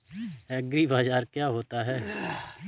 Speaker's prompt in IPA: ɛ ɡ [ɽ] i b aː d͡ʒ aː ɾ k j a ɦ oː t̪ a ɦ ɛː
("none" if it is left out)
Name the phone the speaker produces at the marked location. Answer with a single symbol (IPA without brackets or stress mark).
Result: ɾ